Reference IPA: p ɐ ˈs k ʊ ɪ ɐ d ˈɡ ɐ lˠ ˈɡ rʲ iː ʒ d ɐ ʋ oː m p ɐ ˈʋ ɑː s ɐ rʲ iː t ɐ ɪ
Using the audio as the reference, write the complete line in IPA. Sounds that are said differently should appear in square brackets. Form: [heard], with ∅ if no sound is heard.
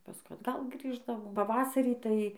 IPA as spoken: p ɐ ˈs k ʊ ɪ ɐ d ˈɡ ɐ lˠ ˈɡ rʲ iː ʒ d ɐ ʋ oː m p ɐ ˈʋ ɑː s ɐ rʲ iː t ɐ ɪ